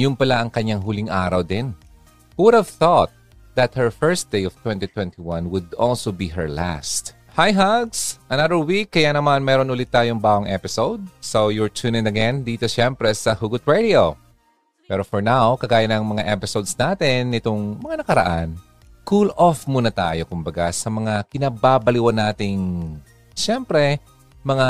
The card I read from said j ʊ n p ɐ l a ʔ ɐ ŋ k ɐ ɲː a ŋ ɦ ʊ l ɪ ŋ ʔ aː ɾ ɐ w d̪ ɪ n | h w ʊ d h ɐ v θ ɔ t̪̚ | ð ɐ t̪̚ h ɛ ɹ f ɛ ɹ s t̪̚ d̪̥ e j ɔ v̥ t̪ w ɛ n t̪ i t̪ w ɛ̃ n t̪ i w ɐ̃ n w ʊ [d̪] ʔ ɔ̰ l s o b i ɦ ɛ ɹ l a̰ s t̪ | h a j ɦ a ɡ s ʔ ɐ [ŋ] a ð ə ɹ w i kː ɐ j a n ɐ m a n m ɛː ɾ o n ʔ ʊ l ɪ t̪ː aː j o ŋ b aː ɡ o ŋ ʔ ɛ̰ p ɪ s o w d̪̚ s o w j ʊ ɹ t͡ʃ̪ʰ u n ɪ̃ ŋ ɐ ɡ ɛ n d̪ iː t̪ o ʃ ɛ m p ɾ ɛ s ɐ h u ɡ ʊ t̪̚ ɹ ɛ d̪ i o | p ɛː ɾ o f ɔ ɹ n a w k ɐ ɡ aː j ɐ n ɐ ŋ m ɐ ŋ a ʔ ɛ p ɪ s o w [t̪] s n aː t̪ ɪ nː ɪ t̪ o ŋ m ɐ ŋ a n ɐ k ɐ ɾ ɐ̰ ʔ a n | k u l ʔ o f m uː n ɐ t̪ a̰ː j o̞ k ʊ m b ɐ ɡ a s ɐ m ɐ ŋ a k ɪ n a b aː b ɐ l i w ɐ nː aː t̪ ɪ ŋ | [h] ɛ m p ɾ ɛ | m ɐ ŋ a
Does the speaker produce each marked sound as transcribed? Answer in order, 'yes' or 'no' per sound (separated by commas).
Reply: yes, no, no, no